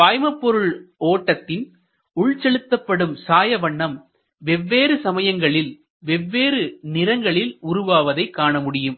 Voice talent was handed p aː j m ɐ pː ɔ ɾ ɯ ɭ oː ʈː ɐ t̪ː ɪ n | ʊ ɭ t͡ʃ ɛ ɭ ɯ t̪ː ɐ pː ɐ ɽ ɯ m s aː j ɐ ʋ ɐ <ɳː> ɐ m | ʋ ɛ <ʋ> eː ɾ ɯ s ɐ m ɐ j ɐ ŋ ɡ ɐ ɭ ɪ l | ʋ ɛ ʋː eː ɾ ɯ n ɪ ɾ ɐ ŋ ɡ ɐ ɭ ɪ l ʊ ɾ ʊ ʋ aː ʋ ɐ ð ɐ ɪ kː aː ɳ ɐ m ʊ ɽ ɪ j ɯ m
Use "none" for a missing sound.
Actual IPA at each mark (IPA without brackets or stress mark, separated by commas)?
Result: ɳː, ʋː